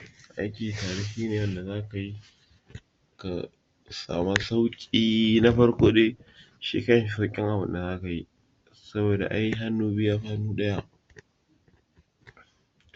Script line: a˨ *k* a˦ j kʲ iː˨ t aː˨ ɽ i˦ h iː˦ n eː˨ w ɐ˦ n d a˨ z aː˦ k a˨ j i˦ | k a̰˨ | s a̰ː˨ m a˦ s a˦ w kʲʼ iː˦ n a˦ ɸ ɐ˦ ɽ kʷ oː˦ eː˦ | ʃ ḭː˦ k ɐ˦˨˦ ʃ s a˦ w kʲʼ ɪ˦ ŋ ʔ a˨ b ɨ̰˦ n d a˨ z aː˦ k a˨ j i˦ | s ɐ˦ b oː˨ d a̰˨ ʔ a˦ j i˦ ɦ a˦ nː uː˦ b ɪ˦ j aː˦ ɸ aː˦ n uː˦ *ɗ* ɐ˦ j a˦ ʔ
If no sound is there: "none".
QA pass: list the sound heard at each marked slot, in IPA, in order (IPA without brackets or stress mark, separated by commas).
ʔ, ɗ